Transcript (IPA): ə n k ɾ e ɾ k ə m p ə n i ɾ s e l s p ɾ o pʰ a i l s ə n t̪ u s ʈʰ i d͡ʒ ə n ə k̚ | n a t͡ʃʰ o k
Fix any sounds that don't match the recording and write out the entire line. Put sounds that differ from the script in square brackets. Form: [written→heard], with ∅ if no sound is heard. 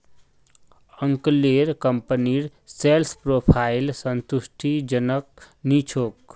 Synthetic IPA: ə [n→ŋ] k [ɾ→l] e ɾ k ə m p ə n i ɾ s e l s p ɾ o pʰ a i l s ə n t̪ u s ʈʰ i d͡ʒ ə n ə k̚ | n [a→i] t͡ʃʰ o k